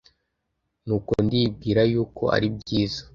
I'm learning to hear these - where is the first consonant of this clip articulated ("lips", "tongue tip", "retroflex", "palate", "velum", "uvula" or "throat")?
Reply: tongue tip